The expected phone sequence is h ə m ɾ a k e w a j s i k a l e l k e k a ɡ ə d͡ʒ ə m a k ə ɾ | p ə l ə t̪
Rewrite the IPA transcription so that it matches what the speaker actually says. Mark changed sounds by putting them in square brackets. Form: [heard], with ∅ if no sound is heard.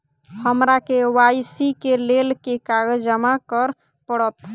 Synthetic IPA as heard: h ə m ɾ a k e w a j s i k [e] l e l k e k a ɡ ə d͡ʒ ə m a k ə ɾ | p ə [ɽ] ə t̪